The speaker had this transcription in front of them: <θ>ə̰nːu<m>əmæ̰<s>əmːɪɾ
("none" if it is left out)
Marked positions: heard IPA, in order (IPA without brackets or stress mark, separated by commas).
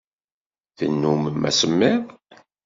θ, m, s